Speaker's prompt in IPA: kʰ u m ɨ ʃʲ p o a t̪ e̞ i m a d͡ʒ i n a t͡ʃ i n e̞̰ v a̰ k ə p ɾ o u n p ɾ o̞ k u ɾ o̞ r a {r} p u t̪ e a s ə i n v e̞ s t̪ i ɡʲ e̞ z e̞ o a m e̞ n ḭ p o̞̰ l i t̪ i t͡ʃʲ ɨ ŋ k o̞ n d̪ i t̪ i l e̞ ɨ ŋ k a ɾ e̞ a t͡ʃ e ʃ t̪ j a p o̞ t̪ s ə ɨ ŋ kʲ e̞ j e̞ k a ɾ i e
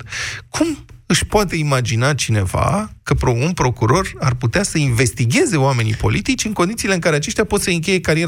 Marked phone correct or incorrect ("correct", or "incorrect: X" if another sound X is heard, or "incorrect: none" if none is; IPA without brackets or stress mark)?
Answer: correct